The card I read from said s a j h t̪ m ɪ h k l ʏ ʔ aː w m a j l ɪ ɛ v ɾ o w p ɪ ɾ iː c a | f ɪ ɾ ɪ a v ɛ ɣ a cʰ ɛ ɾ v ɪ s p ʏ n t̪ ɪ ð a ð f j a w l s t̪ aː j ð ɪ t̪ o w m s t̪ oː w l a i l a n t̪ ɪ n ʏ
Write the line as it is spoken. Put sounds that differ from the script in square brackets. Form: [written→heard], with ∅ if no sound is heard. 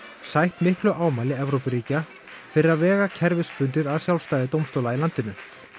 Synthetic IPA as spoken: s a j h t̪ m ɪ h k l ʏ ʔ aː w m a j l ɪ ɛ v ɾ o w p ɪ ɾ iː c a | f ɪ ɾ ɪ a v [ɛ→ɛː] ɣ a cʰ ɛ ɾ v ɪ s p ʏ n t̪ ɪ ð a ð [f→s] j a w l s t̪ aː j ð ɪ t̪ o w m s t̪ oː w l a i l a n t̪ ɪ n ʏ